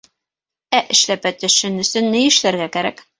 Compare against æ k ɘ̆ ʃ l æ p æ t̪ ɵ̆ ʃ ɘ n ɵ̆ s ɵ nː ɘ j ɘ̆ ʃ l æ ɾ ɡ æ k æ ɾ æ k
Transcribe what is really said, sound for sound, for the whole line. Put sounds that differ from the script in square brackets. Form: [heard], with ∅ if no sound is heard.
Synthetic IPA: æ [ʔ] ɘ̆ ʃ l æ p æ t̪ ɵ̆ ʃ ɘ n ɵ̆ s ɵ nː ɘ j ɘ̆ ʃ l æ ɾ ɡ æ k æ ɾ æ k